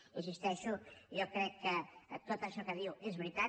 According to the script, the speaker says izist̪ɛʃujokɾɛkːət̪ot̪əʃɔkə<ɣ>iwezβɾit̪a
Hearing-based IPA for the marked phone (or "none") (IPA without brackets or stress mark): ð